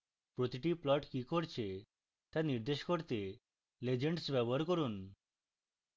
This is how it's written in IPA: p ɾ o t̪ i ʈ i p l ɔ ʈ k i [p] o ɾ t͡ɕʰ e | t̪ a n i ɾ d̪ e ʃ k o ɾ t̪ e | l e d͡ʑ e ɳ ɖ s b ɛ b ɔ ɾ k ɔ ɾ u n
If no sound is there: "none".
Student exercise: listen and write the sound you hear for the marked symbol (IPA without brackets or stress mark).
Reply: k